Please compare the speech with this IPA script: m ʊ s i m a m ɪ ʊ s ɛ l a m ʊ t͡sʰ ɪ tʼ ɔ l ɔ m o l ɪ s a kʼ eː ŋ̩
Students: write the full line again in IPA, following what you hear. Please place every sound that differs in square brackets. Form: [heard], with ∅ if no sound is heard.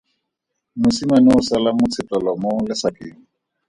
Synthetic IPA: m ʊ s i m a [n] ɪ ʊ s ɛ l a m ʊ t͡sʰ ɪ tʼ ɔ l ɔ m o l ɪ s a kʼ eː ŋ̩